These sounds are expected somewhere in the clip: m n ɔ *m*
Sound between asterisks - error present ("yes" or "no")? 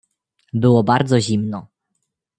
yes